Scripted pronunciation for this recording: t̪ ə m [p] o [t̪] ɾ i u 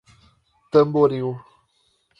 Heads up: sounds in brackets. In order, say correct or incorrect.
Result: incorrect: b, incorrect: none

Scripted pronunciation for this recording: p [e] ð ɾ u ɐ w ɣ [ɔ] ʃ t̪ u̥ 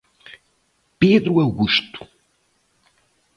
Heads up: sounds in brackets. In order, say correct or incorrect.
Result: correct, incorrect: u

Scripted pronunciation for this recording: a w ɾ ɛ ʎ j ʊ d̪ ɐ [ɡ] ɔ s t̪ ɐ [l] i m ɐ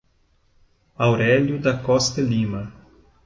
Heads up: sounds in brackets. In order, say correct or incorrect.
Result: incorrect: k, correct

